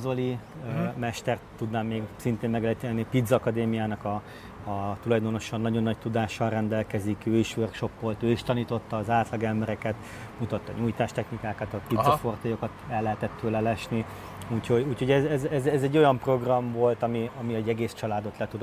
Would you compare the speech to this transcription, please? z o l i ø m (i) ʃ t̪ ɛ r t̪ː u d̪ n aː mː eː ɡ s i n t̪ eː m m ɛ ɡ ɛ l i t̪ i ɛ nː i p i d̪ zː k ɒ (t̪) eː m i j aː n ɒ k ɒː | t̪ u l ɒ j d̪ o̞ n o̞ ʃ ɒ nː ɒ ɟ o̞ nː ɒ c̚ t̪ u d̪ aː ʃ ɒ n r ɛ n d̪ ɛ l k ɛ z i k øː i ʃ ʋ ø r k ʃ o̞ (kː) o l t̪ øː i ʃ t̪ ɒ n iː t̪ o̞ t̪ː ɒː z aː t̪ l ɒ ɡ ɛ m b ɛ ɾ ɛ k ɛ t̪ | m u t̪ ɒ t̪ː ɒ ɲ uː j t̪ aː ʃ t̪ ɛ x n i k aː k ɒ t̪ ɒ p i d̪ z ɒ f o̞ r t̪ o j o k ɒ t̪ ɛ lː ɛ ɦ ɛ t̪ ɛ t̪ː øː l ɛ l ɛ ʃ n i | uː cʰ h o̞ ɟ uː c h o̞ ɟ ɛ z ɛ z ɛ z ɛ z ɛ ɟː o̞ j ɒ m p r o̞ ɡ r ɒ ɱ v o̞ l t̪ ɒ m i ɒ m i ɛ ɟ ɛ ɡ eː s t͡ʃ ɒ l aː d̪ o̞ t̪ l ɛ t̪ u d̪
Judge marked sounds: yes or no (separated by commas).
no, no, no